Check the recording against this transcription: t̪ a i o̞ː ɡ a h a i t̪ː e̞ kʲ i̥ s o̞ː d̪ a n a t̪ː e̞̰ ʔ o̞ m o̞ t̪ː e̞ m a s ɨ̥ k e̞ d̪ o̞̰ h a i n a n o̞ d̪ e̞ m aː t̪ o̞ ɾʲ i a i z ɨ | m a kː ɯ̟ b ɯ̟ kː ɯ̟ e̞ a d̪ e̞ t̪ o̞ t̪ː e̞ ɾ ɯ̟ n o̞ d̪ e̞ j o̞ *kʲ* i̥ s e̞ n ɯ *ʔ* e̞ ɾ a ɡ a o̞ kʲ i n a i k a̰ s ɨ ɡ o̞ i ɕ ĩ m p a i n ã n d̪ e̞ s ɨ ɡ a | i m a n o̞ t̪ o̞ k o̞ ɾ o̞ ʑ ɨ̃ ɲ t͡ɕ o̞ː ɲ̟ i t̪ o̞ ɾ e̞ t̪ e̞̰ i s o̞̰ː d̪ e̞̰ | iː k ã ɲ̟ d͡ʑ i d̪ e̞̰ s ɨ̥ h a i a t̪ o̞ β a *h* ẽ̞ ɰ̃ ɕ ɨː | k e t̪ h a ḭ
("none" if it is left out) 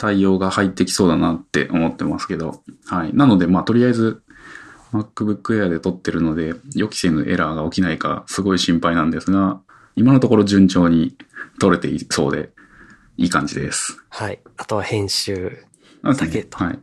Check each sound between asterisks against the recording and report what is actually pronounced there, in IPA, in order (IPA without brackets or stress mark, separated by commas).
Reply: kʲ, ʔ, h